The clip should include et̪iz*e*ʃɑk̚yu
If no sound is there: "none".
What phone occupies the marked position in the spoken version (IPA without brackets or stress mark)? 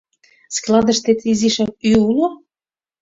i